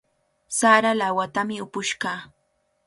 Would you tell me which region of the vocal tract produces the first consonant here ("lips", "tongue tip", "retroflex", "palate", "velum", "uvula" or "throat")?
tongue tip